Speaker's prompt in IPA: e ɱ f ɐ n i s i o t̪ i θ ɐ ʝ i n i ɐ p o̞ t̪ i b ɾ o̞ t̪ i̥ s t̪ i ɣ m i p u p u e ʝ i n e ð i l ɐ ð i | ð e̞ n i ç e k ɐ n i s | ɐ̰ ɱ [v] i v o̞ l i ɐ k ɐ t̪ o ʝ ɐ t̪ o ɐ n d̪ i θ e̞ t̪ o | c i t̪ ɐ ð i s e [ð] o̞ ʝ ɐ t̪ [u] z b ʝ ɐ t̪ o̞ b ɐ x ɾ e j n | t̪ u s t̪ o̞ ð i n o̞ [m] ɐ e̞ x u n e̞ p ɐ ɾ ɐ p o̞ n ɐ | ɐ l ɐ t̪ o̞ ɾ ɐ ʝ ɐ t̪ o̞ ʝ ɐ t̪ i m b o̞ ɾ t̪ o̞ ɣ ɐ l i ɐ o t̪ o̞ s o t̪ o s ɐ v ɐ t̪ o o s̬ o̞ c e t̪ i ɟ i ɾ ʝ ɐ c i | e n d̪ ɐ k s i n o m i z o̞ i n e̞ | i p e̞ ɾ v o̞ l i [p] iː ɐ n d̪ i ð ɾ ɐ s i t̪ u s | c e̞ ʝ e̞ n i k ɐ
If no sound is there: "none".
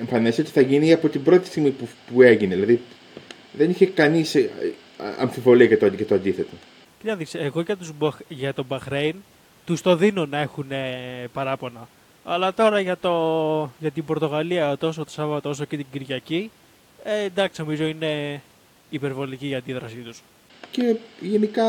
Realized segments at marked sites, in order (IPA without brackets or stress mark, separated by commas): f, ɣ, u, n, c